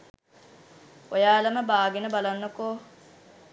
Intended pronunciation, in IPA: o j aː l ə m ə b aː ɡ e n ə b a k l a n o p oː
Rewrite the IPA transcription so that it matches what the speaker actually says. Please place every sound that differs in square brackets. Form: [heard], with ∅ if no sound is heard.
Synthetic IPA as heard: o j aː l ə m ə b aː ɡ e n ə b a [∅] l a [nː] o [k] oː